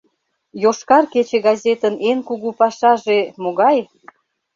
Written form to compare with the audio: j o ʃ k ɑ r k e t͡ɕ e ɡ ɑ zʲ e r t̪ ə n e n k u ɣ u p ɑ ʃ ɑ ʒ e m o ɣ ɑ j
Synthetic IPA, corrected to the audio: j o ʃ k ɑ r k e t͡ɕ e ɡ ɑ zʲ e t̪ ə n e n k u ɣ u p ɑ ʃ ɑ ʒ e m o ɣ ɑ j